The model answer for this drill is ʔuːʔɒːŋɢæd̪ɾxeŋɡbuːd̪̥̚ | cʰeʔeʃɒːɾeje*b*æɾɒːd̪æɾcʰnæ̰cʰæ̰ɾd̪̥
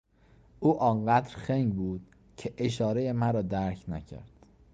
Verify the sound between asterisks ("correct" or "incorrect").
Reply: incorrect